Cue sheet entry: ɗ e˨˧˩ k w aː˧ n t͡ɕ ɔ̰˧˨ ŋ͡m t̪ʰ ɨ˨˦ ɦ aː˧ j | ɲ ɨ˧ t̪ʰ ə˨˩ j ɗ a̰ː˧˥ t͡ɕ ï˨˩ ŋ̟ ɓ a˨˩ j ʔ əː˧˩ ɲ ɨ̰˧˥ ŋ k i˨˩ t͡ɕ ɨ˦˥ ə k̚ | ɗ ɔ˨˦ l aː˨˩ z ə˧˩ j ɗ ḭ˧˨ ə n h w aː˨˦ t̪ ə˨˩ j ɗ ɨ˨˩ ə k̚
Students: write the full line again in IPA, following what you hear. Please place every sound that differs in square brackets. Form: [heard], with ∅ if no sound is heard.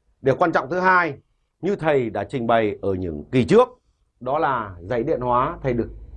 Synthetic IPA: ɗ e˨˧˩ k w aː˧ n t͡ɕ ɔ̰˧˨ ŋ͡m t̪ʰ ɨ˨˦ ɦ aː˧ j | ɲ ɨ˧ t̪ʰ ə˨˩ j ɗ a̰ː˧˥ t͡ɕ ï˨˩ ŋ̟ ɓ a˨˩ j ʔ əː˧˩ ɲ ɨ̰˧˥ ŋ k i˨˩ t͡ɕ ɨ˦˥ ə k̚ | ɗ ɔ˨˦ l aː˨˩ z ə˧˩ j ɗ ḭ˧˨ ə n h w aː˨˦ [t̪ʰ] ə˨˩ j ɗ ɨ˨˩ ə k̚

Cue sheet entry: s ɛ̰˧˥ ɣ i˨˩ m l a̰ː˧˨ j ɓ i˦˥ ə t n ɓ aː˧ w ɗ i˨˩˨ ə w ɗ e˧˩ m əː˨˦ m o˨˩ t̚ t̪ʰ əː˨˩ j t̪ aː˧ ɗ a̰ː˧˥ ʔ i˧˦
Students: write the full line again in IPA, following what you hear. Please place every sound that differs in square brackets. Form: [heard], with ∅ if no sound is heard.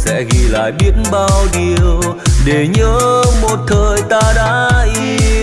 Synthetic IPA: s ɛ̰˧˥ ɣ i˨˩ [∅] l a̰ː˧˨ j ɓ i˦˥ ə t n ɓ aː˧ w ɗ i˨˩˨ ə w ɗ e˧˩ [ɲ] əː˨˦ m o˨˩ t̚ t̪ʰ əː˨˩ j t̪ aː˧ ɗ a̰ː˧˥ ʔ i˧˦

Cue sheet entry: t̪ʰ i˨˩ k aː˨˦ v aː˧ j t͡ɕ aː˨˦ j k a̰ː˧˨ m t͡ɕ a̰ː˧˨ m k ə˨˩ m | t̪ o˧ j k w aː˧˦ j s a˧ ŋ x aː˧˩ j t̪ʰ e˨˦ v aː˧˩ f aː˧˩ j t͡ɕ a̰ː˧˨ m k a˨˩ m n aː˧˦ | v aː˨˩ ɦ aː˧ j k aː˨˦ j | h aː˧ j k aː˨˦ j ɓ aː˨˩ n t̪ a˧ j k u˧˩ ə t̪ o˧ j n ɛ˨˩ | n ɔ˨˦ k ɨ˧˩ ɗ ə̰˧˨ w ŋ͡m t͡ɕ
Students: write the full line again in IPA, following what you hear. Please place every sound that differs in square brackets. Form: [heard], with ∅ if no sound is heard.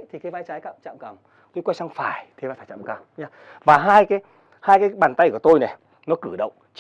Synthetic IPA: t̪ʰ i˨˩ k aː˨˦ v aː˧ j t͡ɕ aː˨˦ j k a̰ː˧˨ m t͡ɕ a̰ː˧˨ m k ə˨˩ m | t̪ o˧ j k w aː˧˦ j s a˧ ŋ [f] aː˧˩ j t̪ʰ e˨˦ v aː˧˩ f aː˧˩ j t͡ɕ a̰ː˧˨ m k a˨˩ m [ɲ] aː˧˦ | v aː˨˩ ɦ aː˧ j k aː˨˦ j | h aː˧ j k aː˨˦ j ɓ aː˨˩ n t̪ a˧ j k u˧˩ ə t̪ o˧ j n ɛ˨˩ | n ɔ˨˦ k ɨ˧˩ ɗ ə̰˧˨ w ŋ͡m t͡ɕ

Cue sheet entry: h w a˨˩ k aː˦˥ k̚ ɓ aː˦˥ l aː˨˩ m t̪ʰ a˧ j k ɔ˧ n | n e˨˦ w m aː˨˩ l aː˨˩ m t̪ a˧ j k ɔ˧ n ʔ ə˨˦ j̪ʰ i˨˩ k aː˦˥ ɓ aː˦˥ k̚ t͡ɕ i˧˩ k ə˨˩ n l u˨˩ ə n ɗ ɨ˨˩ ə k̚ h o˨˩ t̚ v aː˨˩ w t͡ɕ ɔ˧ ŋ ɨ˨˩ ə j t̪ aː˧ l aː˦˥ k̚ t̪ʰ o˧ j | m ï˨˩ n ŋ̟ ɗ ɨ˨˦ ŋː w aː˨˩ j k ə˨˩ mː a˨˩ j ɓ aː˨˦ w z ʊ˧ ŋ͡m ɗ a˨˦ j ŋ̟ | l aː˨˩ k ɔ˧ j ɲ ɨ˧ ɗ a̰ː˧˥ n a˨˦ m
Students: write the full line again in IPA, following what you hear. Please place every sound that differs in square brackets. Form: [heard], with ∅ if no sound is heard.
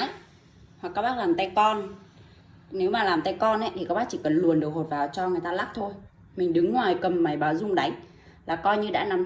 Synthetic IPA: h w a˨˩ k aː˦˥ k̚ ɓ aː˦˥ l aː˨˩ m [t̪] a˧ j k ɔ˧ n | n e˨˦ w m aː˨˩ l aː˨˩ m t̪ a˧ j k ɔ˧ n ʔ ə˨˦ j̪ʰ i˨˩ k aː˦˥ ɓ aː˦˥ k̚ t͡ɕ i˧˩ k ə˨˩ n l u˨˩ ə n ɗ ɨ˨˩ ə k̚ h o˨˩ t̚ v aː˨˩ w t͡ɕ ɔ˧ ŋ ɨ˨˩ ə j t̪ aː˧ l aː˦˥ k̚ t̪ʰ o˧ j | m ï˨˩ [∅] ŋ̟ ɗ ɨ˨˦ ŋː w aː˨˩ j k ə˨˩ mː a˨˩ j ɓ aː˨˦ w z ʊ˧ ŋ͡m ɗ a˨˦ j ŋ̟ | l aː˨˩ k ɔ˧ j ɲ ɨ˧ ɗ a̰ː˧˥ n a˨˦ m

